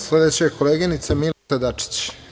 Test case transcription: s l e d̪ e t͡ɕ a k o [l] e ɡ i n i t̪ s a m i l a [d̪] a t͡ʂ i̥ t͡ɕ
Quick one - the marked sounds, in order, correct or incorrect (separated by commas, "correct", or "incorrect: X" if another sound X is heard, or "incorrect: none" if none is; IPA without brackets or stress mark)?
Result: correct, correct